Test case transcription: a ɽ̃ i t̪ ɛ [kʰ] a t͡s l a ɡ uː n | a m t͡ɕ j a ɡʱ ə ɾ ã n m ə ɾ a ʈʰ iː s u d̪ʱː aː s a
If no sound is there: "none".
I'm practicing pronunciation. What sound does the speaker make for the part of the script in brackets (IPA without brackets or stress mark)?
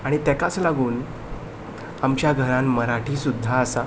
k